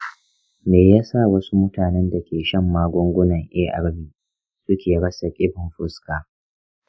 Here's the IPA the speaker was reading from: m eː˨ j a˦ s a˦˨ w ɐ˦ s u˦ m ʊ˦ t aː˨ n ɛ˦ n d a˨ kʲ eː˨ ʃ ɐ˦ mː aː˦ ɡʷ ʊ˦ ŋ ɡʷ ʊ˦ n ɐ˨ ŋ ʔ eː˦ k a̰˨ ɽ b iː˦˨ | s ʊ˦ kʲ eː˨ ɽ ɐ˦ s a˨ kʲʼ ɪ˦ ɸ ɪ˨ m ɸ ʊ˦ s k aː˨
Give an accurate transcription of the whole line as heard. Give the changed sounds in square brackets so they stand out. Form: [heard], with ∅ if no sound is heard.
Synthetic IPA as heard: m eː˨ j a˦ s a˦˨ w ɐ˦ s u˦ m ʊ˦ t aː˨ n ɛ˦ n d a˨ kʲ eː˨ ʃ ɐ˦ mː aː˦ ɡʷ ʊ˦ ŋ ɡʷ ʊ˦ n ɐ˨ ŋ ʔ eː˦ [ʔ] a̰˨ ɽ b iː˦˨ | s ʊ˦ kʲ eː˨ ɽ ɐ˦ s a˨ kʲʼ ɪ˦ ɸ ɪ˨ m ɸ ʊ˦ s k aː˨